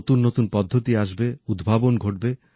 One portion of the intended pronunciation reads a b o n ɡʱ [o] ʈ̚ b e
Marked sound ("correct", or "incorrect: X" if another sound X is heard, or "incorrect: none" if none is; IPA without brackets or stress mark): correct